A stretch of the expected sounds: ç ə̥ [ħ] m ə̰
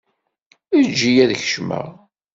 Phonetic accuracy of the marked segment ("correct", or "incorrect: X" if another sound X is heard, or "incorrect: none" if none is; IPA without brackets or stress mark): incorrect: ʃ